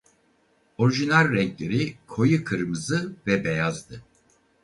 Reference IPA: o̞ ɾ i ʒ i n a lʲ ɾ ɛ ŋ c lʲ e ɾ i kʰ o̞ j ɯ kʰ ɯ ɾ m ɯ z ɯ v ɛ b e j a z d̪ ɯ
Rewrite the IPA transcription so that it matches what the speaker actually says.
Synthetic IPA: o̞ ɾ i ʒ i n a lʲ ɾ ɛ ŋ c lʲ e ɾ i kʰ o̞ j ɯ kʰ ɯ ɾ m ɯ z ɯ v ɛ b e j a z d̪ ɯ